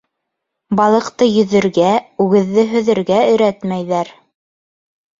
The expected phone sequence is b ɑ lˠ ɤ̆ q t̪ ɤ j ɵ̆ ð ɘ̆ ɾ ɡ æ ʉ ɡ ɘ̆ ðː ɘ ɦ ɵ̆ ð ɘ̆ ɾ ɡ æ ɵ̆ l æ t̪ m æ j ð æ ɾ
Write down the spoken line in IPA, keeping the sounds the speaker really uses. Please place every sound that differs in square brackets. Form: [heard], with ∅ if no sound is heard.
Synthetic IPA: b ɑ lˠ ɤ̆ q t̪ ɤ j ɵ̆ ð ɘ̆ ɾ ɡ æ ʉ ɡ ɘ̆ ðː ɘ ɦ ɵ̆ ð ɘ̆ ɾ ɡ æ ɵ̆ [ɾ] æ t̪ m æ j ð æ ɾ